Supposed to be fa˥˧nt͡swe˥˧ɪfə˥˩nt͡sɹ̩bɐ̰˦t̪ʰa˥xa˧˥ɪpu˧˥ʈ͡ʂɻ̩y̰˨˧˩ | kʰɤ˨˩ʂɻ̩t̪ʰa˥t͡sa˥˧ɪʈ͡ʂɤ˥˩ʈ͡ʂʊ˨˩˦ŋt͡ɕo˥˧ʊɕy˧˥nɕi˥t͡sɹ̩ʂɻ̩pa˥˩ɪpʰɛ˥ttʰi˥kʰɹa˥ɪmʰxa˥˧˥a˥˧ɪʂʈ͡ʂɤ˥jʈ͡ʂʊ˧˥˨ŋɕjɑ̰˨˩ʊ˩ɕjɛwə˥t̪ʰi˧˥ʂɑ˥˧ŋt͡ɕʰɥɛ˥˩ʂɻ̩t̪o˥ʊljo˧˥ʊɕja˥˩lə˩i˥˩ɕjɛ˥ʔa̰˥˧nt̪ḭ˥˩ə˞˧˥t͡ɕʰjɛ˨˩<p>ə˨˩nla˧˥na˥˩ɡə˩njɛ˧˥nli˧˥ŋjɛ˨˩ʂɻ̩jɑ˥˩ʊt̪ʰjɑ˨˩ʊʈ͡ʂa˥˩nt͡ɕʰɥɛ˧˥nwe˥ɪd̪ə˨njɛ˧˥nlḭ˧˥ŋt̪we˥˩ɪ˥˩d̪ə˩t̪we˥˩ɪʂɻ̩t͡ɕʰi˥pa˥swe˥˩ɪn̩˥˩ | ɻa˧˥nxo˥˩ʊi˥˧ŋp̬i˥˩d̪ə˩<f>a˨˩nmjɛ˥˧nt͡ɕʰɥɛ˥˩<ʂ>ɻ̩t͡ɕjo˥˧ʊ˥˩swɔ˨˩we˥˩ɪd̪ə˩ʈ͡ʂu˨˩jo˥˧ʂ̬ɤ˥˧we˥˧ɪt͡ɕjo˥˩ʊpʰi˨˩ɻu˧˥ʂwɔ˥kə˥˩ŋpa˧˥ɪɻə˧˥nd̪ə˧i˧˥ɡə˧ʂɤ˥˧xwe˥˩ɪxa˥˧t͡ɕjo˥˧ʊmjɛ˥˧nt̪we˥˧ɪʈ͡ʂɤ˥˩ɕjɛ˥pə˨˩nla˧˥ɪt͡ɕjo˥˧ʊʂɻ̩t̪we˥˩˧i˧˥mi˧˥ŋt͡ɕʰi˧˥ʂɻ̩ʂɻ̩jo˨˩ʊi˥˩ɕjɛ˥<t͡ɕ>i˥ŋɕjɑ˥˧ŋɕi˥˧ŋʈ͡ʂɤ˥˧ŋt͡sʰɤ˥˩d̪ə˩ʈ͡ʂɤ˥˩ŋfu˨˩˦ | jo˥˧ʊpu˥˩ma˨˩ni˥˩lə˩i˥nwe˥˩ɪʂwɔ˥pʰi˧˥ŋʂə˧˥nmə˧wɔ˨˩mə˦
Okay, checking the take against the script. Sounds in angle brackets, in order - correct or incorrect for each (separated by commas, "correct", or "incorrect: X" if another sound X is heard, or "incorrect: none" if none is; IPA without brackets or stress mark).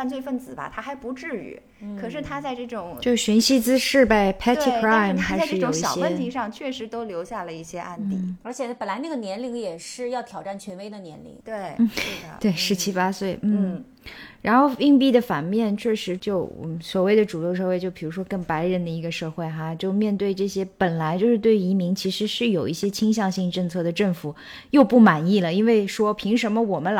correct, correct, correct, incorrect: t͡ɕʰ